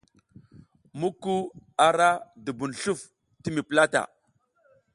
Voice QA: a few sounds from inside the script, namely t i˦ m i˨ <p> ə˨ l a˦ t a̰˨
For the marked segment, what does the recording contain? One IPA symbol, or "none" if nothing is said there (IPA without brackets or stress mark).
p